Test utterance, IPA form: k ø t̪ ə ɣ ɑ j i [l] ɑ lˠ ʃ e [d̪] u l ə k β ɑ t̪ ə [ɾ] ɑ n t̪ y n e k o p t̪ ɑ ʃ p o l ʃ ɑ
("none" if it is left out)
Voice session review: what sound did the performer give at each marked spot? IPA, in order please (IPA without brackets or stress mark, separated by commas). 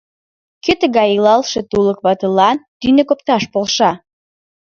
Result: l, t̪, l